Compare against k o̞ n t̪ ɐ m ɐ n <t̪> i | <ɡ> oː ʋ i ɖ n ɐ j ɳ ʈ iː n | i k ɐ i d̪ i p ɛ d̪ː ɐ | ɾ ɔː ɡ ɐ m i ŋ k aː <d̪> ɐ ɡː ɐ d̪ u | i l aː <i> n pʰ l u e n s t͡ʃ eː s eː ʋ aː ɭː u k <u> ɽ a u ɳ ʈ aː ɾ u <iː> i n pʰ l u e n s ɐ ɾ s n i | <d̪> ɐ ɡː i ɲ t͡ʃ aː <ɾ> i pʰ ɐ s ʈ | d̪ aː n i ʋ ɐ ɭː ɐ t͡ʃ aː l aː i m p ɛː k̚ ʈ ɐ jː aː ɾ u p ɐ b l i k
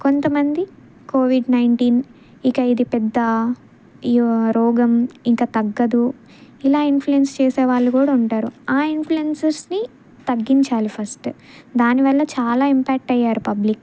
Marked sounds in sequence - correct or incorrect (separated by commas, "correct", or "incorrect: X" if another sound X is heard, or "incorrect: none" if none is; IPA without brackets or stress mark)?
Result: incorrect: d̪, incorrect: k, incorrect: t̪, correct, incorrect: uː, incorrect: aː, incorrect: t̪, incorrect: l